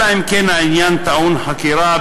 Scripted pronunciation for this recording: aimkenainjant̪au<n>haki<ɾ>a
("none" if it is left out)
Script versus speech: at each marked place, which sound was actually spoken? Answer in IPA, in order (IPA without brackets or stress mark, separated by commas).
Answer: n, ɾ